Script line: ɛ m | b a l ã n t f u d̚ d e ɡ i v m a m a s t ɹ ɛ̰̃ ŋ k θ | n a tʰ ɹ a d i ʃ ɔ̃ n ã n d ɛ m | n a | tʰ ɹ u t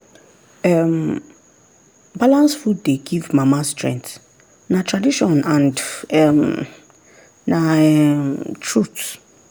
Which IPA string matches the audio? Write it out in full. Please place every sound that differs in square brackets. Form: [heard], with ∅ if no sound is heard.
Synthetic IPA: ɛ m | b a l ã n [s] f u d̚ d e ɡ i v m a m a s t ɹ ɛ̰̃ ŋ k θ | n a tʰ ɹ a d i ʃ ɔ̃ n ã n d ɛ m | n a | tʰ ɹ u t